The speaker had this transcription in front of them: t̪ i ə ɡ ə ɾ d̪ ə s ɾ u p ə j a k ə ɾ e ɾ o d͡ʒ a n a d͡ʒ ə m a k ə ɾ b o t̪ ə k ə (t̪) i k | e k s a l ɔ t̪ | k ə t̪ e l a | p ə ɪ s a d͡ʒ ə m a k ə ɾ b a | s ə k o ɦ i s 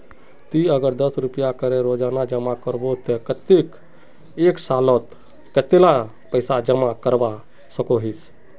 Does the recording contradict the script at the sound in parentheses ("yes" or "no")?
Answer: no